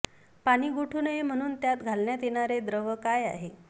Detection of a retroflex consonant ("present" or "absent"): present